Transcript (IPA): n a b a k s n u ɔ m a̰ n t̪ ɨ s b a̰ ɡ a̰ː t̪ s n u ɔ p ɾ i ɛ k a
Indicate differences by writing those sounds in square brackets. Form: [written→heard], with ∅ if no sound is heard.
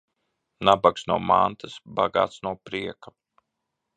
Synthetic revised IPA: n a b a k s n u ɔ m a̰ n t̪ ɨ s b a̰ ɡ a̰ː t̪ s n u ɔ p ɾ i ɛ k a